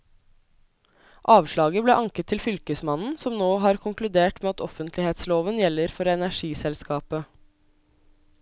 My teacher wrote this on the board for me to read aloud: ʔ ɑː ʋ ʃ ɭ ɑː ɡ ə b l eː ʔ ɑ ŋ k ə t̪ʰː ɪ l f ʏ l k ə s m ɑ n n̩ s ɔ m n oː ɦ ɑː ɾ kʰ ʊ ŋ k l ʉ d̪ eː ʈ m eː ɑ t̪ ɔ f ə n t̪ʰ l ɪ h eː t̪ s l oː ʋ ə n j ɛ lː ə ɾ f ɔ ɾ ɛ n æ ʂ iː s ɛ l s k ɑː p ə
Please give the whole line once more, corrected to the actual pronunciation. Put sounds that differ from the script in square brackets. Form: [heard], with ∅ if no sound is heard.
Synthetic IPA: ʔ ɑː ʋ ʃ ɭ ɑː ɡ ə b l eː ʔ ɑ ŋ k ə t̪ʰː ɪ l f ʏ l k ə s m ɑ n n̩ s ɔ m n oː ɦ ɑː ɾ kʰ ʊ ŋ k l ʉ d̪ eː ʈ m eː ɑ t̪ ɔ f ə n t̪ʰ l ɪ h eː t̪ s l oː ʋ ə n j ɛ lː ə ɾ f ɔ ɾ ɛ n æ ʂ iː s ɛ l s k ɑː p ə